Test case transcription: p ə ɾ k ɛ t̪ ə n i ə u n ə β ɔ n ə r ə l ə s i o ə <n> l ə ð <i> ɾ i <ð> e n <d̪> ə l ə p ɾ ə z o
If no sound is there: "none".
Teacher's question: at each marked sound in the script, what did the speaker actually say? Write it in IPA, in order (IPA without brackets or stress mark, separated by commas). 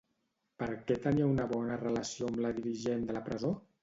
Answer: m, i, ʒ, d̪